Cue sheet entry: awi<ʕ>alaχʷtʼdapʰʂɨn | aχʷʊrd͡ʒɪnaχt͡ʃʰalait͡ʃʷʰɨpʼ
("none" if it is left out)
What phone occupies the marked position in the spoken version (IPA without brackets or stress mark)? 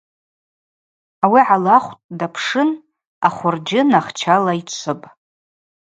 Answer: ʕ